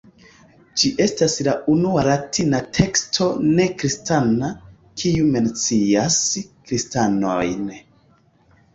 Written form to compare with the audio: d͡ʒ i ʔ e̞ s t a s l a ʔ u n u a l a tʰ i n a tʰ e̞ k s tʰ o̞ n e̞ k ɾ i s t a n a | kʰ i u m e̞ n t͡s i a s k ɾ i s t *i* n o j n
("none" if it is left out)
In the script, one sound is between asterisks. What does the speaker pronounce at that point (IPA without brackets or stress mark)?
a